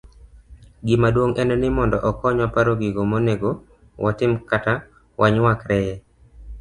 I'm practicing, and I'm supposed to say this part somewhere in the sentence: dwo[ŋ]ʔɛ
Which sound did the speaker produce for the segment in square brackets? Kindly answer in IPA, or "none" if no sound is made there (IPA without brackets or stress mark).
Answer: ŋ